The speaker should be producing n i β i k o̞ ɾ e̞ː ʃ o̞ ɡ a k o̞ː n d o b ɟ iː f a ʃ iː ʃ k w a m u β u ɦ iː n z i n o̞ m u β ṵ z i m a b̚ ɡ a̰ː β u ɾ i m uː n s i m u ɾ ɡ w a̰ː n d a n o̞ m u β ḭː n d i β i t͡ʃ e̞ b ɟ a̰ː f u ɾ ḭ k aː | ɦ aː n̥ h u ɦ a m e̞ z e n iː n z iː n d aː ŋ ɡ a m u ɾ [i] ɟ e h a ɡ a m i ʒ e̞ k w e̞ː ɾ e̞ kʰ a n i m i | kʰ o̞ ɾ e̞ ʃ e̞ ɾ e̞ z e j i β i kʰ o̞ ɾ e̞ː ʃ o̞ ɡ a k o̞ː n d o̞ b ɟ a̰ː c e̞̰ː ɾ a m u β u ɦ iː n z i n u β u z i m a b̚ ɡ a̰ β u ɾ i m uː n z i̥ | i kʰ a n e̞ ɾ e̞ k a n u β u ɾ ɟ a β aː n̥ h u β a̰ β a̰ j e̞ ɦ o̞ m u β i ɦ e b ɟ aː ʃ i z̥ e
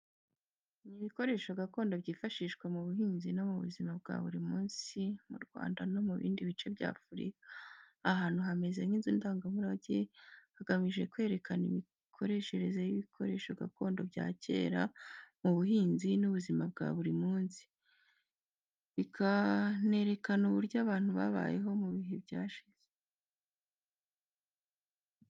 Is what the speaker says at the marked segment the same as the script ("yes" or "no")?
no